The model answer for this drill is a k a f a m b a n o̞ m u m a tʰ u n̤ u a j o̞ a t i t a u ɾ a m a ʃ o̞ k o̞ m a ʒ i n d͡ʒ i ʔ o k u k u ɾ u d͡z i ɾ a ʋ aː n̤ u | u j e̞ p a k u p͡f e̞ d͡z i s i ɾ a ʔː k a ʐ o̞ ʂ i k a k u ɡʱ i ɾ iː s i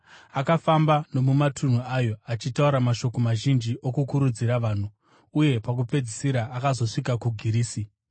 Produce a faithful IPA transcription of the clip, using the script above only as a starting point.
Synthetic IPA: a k a f a m b a n o̞ m u m a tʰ u n̤ u a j o̞ a t͡ʃ i t a u ɾ a m a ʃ o̞ k o̞ m a ʒ i n d͡ʒ i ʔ o k u k u ɾ u d͡z i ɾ a ʋ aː n̤ u | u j e̞ p a k u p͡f e̞ d͡z i s i ɾ a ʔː k a z o̞ ʂ i k a k u ɡʱ i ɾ iː s i